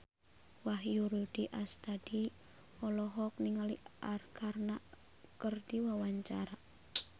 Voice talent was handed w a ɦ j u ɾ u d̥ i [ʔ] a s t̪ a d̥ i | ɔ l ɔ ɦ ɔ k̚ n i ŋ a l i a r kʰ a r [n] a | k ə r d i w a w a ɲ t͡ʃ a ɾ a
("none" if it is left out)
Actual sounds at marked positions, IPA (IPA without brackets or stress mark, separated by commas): ʔ, n